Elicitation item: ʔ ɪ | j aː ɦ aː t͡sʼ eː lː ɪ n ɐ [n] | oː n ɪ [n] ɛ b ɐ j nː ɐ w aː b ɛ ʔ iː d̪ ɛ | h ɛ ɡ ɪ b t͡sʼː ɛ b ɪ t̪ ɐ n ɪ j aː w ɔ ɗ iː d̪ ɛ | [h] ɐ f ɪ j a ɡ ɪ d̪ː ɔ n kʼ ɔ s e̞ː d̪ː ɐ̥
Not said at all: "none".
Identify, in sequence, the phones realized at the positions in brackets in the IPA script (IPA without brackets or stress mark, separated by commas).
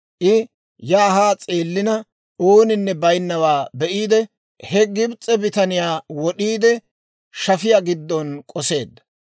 none, nː, ʃ